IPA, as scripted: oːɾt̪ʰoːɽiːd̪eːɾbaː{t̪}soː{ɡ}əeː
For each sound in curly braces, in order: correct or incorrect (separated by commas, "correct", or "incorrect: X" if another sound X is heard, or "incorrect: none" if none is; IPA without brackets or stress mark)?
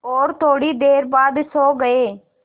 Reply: incorrect: d̪, correct